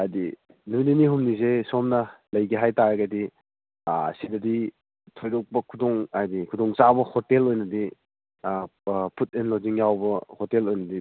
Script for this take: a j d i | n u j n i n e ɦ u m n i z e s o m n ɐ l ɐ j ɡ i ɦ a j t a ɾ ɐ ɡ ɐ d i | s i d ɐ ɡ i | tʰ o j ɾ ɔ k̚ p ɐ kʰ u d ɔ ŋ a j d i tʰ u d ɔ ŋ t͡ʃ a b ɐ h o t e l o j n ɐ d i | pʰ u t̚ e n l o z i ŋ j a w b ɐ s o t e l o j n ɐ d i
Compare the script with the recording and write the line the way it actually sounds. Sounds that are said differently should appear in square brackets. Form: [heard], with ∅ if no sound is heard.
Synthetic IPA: a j d i | n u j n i n [i] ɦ u m n i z e s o m n ɐ l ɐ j ɡ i ɦ a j t a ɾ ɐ ɡ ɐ d i | s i d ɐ [d] i | tʰ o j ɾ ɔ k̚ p ɐ kʰ u d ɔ ŋ a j d i [kʰ] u d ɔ ŋ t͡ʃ a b ɐ h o t e l o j n ɐ d i | pʰ u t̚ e n l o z i ŋ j a w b ɐ [h] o t e l o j n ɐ d i